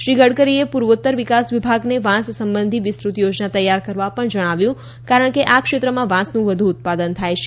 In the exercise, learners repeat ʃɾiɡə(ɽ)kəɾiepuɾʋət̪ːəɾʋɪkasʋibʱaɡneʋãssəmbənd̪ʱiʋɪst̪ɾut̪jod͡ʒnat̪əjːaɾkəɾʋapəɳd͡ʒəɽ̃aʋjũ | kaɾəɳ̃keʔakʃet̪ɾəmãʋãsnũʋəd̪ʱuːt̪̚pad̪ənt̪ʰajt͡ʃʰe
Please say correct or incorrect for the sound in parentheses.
correct